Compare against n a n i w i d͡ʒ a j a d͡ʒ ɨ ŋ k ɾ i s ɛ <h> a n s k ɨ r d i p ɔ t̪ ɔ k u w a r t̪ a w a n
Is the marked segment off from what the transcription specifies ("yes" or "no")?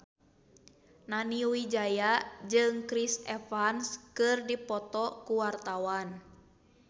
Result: yes